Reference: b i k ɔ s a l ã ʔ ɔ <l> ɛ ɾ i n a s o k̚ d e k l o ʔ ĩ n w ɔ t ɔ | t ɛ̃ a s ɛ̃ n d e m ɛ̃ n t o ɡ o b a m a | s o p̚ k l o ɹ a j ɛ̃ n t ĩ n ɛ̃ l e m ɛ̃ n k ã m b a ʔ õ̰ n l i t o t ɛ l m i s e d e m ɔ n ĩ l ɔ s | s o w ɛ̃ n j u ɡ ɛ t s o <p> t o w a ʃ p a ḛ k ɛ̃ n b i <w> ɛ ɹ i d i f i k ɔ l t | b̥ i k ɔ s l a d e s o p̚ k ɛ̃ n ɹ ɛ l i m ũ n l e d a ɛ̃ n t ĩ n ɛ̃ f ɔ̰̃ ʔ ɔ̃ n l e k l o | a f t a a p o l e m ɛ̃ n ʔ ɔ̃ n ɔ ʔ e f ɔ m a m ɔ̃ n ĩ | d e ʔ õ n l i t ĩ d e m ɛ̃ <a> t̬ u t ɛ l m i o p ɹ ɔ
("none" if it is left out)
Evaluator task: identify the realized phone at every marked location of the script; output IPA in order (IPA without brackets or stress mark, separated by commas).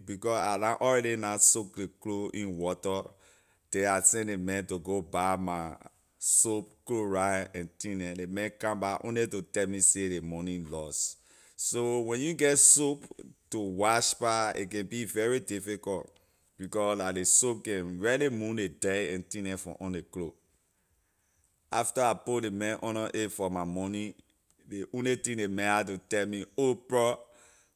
ɹ, p, v, a